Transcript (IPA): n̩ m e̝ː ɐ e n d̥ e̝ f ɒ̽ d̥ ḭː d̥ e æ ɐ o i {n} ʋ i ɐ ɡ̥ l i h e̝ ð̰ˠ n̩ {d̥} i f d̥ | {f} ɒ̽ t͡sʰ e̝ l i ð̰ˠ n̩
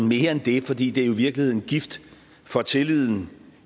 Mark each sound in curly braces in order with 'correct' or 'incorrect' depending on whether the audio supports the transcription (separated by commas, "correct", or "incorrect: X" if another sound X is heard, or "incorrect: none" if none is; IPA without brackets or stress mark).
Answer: incorrect: none, incorrect: ɡ̥, correct